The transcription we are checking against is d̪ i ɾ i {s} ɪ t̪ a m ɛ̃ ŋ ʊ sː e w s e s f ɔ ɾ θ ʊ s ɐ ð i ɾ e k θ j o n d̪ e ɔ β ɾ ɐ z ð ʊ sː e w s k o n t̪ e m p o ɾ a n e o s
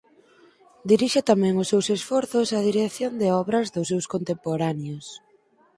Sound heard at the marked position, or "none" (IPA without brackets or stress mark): ʃ